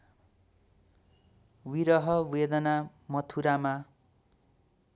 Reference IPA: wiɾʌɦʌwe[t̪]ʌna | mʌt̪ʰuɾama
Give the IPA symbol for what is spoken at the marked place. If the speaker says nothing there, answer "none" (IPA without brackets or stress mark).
d̪